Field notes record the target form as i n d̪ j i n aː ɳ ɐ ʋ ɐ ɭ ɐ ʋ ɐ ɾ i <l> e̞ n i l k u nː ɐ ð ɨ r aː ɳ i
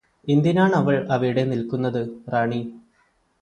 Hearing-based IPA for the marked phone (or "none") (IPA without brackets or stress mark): ɽ